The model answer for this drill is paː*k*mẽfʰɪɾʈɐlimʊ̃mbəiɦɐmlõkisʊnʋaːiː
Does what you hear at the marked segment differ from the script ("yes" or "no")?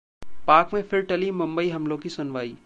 no